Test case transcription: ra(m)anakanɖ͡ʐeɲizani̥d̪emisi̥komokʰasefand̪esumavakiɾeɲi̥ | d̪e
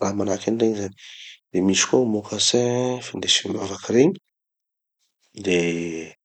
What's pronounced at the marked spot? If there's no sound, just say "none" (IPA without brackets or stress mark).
m